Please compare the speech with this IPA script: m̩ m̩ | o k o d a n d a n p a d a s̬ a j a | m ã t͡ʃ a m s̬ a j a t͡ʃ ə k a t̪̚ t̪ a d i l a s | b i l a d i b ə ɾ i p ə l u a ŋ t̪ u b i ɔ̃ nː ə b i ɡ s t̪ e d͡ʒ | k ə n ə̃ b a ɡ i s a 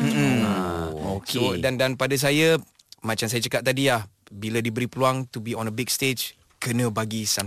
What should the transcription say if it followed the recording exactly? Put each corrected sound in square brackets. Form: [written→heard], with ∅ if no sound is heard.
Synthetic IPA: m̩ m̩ | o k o d a n d a n p a d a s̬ a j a | m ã t͡ʃ a m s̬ a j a t͡ʃ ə k a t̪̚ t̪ a d i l a [s→h] | b i l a d i b ə ɾ i p ə l u a ŋ t̪ u b i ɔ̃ [nː→n] ə b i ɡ s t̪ e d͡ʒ | k ə n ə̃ b a ɡ i s a